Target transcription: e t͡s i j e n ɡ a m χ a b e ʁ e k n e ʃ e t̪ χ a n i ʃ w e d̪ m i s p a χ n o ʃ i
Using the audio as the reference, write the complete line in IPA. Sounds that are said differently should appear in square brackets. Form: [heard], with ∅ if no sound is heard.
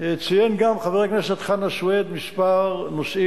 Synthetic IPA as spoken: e t͡s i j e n ɡ a m χ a [v] e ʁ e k n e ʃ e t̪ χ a n [a] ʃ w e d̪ m i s p a [ʁ] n o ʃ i